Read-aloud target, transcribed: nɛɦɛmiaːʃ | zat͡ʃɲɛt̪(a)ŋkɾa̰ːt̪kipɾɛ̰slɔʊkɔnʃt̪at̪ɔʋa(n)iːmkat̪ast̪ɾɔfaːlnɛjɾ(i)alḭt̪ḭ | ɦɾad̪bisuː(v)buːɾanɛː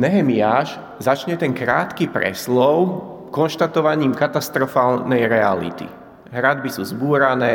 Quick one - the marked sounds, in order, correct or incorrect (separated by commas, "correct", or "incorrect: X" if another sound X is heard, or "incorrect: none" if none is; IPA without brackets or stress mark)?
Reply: incorrect: ɛ, incorrect: ɲ, incorrect: ɛ, incorrect: z